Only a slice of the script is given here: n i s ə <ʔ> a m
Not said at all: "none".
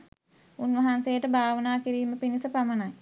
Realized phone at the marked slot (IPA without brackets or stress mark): p